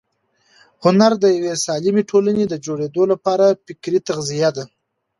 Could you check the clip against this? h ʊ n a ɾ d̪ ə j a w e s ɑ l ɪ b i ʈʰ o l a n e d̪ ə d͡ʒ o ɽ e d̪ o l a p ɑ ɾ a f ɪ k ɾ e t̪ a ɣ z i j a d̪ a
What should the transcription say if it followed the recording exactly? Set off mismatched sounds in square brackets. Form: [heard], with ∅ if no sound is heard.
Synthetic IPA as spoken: h ʊ n a ɾ d̪ ə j a w e s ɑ l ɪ [m] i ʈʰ o l a n e d̪ ə d͡ʒ o ɽ e d̪ o l a p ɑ ɾ a f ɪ k ɾ [i] t̪ a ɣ z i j a d̪ a